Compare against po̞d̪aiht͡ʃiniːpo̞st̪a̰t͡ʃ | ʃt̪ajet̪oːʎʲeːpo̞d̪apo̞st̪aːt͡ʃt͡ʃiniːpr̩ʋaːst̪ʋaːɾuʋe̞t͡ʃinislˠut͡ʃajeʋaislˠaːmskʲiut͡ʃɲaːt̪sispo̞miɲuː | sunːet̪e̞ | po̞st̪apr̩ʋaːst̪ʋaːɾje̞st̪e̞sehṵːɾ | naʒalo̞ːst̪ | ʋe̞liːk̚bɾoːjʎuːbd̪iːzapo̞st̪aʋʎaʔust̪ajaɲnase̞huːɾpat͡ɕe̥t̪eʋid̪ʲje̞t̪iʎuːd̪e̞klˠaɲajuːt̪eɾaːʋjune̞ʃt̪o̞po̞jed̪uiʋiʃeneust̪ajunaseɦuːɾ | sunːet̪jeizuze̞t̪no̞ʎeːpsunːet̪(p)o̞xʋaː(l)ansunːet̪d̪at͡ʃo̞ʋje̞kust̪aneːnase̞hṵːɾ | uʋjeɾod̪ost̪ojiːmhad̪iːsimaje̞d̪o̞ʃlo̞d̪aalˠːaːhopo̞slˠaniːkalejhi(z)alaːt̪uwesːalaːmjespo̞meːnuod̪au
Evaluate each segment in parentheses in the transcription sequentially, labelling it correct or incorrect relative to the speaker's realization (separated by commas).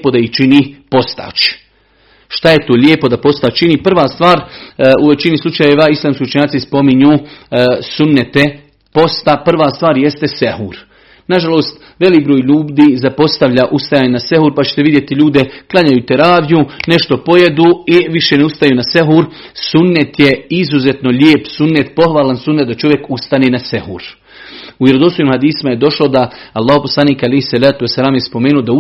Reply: correct, correct, incorrect